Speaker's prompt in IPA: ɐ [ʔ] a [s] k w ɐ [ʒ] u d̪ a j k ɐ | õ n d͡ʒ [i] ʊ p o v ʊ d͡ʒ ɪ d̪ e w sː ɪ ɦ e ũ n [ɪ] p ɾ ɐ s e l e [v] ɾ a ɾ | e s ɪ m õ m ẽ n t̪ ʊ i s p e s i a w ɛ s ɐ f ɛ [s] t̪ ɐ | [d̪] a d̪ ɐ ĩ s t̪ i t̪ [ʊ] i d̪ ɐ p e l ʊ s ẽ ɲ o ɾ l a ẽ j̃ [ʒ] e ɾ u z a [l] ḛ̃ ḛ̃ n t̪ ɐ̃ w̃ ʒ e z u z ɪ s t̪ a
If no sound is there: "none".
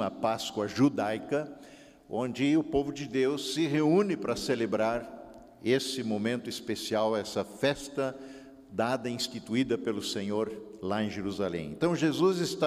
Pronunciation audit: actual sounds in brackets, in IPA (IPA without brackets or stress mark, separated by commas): p, s, ʒ, ɪ, ɪ, b, s, d̪, u, ʒ, l